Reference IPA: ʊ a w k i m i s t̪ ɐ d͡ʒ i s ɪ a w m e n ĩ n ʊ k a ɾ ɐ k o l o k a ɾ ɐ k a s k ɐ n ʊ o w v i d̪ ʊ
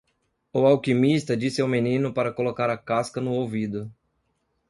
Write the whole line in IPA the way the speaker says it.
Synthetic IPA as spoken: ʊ a w k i m i s t̪ ɐ d͡ʒ i s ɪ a w m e n ĩ n ʊ p a ɾ ɐ k o l o k a ɾ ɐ k a s k ɐ n ʊ o w v i d̪ ʊ